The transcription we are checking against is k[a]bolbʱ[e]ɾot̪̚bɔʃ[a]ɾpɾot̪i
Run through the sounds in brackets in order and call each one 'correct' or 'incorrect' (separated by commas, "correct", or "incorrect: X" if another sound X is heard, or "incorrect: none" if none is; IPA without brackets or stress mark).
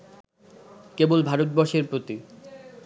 incorrect: e, incorrect: a, incorrect: e